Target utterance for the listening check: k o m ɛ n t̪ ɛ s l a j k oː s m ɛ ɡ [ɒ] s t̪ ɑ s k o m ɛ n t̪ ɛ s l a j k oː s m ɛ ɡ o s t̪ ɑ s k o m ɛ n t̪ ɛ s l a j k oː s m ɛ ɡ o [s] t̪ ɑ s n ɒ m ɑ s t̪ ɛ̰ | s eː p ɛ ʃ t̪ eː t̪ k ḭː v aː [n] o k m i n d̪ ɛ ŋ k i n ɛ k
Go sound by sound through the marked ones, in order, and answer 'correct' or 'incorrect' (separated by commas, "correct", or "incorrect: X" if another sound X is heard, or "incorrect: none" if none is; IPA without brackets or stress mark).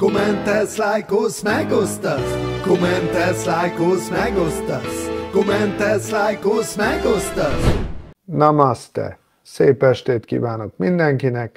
incorrect: o, correct, correct